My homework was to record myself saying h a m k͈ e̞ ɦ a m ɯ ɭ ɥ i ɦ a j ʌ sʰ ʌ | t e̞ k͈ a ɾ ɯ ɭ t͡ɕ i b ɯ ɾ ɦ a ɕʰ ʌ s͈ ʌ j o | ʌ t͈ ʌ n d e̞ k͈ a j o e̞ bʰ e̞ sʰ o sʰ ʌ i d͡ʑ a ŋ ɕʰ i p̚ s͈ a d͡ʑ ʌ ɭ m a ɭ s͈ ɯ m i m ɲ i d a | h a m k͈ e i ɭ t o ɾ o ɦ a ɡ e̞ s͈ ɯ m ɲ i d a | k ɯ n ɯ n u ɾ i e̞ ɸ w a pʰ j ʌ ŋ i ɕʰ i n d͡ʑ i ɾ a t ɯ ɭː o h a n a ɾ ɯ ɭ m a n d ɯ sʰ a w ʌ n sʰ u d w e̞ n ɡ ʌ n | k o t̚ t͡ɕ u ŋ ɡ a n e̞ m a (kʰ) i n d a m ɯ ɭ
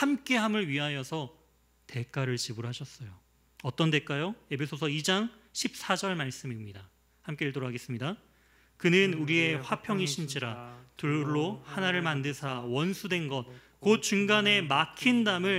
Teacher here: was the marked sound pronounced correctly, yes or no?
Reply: yes